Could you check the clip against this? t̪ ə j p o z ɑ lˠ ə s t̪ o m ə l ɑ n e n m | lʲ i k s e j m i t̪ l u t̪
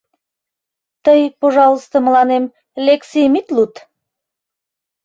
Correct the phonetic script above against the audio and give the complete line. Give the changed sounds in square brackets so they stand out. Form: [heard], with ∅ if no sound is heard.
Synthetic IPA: t̪ ə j p o [ʒ] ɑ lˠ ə s t̪ o m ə l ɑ n e [∅] m | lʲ [e] k s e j m i t̪ l u t̪